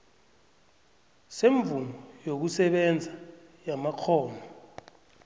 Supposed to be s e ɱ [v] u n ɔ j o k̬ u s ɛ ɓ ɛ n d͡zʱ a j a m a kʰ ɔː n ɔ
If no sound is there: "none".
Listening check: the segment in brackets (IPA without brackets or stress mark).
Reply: v